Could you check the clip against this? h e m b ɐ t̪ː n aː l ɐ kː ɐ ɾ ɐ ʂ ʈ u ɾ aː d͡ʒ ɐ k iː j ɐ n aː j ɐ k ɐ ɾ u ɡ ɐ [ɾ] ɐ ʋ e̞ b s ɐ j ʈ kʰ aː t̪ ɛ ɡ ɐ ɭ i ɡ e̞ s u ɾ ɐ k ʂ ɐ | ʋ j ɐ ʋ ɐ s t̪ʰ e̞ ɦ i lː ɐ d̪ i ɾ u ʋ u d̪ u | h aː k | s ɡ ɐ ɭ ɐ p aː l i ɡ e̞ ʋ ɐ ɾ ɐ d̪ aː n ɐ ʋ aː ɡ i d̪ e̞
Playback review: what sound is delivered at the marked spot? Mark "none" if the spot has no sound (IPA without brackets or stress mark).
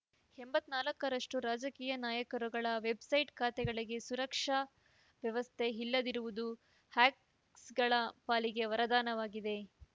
ɭ